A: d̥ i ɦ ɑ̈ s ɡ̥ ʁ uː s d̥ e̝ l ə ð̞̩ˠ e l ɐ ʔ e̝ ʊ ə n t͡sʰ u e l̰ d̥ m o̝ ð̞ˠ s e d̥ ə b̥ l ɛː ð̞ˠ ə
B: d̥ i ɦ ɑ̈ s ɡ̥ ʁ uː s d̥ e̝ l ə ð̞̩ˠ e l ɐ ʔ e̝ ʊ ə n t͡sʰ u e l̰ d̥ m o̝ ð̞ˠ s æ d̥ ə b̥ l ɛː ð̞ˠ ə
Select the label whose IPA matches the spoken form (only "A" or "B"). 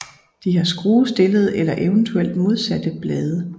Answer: B